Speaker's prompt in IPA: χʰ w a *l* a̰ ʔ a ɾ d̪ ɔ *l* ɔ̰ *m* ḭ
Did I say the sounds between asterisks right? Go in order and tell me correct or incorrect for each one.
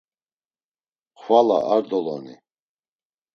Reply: correct, correct, incorrect: n

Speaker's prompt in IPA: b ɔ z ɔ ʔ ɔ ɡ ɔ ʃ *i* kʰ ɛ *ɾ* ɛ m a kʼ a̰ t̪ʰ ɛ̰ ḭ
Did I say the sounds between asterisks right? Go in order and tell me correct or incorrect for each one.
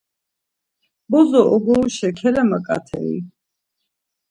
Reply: incorrect: ɛ, incorrect: l

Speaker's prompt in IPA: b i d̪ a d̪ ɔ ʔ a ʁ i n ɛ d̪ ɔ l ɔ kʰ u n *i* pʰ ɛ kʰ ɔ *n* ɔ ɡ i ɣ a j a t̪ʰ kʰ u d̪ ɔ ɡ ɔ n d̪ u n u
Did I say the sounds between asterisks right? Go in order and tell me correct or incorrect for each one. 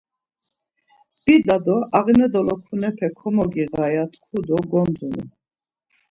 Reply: incorrect: ɛ, incorrect: m

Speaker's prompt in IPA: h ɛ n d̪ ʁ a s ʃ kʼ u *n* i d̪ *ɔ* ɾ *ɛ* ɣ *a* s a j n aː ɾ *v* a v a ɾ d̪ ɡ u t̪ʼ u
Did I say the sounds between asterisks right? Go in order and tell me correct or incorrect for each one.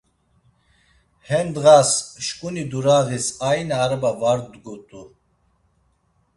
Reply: correct, incorrect: u, incorrect: a, incorrect: i, incorrect: b

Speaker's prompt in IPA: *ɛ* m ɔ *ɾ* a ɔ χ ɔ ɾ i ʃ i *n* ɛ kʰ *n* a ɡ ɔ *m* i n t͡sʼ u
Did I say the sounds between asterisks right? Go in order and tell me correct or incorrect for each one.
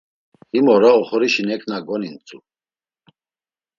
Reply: incorrect: i, correct, correct, correct, incorrect: n

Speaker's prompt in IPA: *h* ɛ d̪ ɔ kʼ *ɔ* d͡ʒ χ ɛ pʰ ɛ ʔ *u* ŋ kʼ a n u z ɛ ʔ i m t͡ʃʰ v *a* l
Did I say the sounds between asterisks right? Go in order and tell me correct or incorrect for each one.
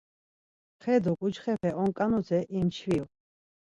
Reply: incorrect: χ, incorrect: u, incorrect: ɔ, incorrect: i

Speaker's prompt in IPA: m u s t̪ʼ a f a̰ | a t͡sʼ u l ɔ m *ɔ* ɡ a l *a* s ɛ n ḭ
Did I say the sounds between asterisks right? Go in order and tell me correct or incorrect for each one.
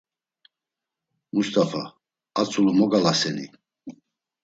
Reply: correct, correct

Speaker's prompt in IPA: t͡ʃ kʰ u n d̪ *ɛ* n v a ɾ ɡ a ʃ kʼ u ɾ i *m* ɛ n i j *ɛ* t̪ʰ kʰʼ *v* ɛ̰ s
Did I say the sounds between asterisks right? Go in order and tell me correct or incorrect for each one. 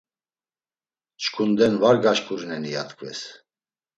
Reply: correct, incorrect: n, incorrect: a, correct

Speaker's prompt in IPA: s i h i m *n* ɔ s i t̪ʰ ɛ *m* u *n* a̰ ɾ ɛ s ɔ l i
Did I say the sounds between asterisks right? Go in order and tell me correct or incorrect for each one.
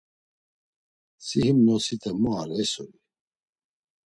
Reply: correct, correct, incorrect: none

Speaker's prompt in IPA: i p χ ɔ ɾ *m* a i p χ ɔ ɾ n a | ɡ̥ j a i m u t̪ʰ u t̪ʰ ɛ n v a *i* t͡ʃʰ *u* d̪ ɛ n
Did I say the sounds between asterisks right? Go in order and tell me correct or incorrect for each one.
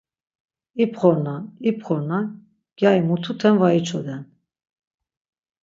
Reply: incorrect: n, correct, incorrect: ɔ

